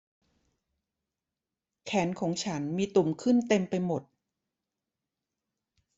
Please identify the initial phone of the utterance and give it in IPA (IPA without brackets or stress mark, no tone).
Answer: kʰ